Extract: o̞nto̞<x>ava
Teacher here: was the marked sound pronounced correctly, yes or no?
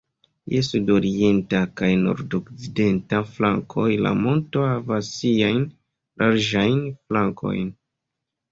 no